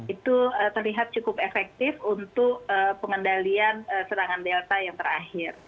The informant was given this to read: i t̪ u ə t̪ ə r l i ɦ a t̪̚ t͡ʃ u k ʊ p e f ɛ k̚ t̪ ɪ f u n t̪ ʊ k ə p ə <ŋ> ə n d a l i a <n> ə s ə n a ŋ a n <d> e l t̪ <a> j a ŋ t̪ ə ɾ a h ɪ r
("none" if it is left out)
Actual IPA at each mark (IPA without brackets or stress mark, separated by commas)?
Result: ŋ, n, d, a